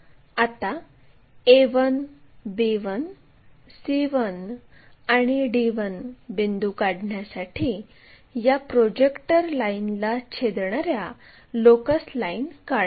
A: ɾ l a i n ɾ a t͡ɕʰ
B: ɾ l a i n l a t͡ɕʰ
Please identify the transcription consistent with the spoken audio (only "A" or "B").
B